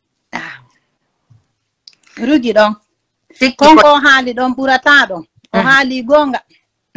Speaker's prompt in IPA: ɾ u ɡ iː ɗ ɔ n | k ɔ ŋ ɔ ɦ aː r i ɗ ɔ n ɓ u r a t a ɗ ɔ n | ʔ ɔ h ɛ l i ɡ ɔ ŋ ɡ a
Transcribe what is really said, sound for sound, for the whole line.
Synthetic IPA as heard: ɾ u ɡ i ɗ ɔ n | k ɔ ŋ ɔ ɦ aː l i ɗ ɔ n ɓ u ɾ a t a ɗ ɔ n | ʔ ɔ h a l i ɡ ɔ ŋ ɡ a